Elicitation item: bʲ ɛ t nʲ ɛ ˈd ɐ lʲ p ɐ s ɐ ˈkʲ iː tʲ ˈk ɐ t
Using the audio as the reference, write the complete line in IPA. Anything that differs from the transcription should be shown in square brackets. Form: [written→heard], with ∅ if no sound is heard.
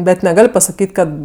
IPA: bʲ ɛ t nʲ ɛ [ˈd→ˈɡ] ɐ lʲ p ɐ s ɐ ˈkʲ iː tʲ ˈk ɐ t